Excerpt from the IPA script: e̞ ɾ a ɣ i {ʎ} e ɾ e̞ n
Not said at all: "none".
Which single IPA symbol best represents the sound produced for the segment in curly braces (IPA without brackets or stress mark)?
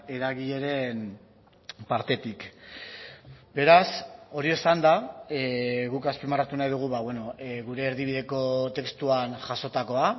ʎ